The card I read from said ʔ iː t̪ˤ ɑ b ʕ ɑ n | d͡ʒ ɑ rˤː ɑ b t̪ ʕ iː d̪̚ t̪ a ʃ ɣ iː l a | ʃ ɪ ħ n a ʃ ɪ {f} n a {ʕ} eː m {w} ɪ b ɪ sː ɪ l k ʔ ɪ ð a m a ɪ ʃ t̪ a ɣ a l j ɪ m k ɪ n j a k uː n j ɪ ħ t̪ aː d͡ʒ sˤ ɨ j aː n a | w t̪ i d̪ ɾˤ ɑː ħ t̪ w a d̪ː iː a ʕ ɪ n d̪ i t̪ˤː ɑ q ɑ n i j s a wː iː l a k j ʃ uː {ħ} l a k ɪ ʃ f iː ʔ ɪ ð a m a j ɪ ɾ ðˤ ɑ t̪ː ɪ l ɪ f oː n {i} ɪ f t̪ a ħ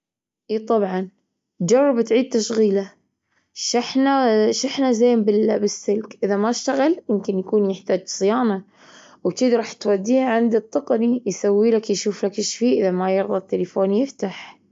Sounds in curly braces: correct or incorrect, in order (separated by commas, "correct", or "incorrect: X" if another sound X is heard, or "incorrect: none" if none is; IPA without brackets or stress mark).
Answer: incorrect: ħ, incorrect: z, incorrect: b, incorrect: f, incorrect: j